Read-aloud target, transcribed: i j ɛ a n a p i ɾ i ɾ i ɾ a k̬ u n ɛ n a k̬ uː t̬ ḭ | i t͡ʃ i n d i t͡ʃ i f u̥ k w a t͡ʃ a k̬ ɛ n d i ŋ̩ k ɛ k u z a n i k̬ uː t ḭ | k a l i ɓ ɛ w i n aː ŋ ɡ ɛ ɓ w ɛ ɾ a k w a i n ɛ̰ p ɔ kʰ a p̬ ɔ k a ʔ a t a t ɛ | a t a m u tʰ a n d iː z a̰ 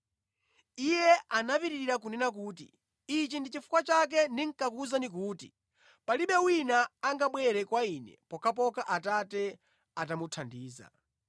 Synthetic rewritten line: i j ɛ a n a p i ɾ i ɾ i ɾ a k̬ u n ɛ n a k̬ uː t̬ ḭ | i t͡ʃ i n d i t͡ʃ i f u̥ k w a t͡ʃ a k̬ ɛ n d i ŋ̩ k a k u z a n i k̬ uː t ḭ | p a l i ɓ ɛ w i n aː ŋ ɡ a ɓ w ɛ ɾ ɛ k w a i n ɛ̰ p ɔ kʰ a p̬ ɔ k a ʔ a t a t ɛ | a t a m u tʰ a n d iː z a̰